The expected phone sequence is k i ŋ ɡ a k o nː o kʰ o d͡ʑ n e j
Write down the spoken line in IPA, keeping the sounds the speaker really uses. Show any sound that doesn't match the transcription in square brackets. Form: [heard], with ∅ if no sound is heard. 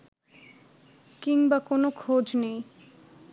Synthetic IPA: k i ŋ [b] a k o [n] o kʰ o d͡ʑ n e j